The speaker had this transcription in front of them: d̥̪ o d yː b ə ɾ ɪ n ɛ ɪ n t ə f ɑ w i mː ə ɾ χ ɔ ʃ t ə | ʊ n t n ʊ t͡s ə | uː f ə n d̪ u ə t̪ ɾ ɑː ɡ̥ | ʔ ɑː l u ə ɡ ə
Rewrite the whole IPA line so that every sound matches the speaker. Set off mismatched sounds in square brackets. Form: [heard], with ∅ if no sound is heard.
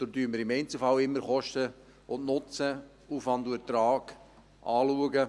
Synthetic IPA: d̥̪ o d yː [m] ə ɾ ɪ [m] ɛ ɪ n [t͡s] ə f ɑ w [ɪ] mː ə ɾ χ ɔ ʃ t ə | ʊ n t n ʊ t͡s ə | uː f [ɑ] n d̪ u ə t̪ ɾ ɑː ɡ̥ | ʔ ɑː l u ə ɡ ə